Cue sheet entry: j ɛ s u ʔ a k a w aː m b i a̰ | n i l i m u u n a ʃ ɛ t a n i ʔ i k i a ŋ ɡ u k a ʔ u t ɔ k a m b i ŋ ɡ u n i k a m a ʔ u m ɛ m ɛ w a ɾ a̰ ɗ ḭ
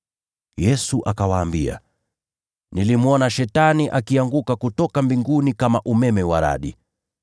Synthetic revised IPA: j ɛ s u ʔ a k a w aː m b i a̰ | n i l i m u ɔ n a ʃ ɛ t a n i ʔ a k i a ŋ ɡ u k a k u t ɔ k a m b i ŋ ɡ u n i k a m a ʔ u m ɛ m ɛ w a ɾ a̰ ɗ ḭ